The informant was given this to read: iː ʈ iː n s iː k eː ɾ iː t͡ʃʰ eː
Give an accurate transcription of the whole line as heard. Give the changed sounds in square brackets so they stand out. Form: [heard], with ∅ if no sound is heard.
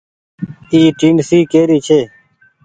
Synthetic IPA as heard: iː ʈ iː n s iː k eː ɾ iː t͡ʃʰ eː

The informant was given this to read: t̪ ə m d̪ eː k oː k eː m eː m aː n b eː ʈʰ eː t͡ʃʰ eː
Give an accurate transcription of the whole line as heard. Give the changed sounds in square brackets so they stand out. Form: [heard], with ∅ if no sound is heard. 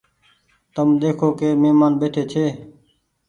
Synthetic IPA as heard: t̪ ə m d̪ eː [kʰ] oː k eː m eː m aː n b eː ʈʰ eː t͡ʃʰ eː

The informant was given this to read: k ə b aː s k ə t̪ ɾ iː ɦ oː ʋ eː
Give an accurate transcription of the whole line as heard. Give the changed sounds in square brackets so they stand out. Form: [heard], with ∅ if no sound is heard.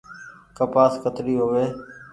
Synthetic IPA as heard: k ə [p] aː s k ə t̪ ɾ iː ɦ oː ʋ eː

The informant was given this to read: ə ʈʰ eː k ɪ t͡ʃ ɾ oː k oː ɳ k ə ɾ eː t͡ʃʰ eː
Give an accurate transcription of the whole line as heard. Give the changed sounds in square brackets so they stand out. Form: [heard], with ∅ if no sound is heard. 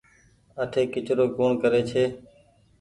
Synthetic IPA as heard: ə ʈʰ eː k ɪ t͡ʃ ɾ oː k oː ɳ k ə ɾ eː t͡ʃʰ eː

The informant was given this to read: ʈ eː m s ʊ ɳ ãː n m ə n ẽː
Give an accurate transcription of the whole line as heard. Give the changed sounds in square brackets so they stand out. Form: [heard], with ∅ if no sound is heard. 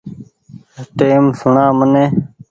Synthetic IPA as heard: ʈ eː m s ʊ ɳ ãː [∅] m ə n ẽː

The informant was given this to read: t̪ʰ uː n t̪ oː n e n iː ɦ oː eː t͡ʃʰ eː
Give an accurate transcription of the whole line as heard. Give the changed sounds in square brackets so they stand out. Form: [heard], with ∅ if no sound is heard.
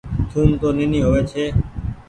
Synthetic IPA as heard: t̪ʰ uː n t̪ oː n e n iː ɦ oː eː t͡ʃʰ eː

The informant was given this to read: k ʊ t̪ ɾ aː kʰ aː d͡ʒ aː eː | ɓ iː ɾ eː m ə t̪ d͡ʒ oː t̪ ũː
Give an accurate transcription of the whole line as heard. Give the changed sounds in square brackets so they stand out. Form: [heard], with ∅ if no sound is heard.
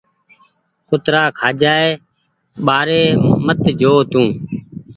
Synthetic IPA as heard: k ʊ t̪ ɾ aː kʰ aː d͡ʒ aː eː | ɓ [aː] ɾ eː m ə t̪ d͡ʒ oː t̪ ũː

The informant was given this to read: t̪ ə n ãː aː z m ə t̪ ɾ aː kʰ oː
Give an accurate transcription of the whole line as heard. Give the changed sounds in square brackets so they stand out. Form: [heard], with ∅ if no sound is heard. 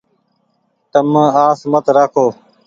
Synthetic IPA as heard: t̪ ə [m] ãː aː [s] m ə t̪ ɾ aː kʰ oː

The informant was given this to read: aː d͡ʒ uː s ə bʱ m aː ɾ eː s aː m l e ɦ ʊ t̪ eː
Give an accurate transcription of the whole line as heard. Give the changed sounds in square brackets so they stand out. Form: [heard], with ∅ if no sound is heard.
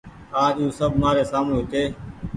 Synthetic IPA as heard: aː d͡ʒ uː s ə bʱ m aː ɾ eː s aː m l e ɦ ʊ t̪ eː

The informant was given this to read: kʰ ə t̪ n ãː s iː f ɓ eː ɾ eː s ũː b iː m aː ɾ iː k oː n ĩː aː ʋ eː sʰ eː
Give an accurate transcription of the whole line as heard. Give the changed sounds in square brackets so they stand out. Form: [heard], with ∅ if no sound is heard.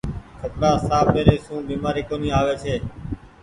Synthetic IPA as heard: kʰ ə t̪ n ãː s [aː] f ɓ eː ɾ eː s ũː b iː m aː ɾ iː k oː n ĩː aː ʋ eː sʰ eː

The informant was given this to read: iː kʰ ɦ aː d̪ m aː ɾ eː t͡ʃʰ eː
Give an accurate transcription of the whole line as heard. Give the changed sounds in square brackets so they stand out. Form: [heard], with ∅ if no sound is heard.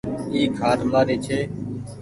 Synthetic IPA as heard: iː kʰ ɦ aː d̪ m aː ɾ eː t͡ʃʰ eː

